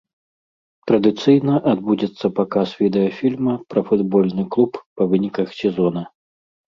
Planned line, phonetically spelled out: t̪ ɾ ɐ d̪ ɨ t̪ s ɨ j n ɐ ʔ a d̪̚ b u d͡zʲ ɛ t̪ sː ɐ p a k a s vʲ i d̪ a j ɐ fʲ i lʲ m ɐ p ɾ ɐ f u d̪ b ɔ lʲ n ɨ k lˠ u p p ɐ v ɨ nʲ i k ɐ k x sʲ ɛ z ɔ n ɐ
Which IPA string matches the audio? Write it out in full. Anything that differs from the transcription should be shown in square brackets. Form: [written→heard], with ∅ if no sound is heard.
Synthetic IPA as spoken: t̪ ɾ ɐ d̪ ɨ t̪ s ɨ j n ɐ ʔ a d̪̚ b u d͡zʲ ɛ t̪ sː ɐ p a k a s vʲ i d̪ [a→ɛ] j ɐ fʲ i lʲ m ɐ p ɾ ɐ f u d̪ b ɔ lʲ n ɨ k lˠ u p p ɐ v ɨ nʲ i k ɐ [k→∅] x sʲ ɛ z ɔ n ɐ